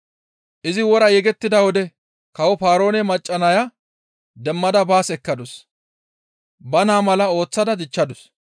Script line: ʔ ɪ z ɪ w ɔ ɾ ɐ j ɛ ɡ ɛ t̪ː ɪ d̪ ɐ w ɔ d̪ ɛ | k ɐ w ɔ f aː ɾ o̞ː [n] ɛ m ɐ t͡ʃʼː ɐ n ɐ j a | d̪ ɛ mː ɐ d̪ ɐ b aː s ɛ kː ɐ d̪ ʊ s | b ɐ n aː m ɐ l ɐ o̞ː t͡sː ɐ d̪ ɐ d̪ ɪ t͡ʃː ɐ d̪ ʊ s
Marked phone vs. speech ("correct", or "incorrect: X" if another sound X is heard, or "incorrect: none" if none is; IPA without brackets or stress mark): correct